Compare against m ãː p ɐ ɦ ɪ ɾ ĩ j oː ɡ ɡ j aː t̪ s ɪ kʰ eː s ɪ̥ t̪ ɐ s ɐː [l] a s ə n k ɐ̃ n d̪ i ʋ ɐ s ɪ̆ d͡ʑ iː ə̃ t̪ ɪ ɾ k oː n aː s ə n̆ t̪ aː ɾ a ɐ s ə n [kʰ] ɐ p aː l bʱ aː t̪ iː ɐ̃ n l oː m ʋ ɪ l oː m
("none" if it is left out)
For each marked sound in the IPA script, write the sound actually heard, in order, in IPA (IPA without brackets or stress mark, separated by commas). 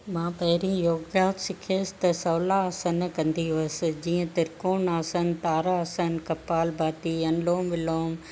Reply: l, k